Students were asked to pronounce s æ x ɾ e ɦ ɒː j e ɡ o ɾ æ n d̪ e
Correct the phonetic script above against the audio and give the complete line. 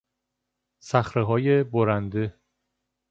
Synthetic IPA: s æ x ɾ e ɦ ɒː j e b o ɾ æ n d̪ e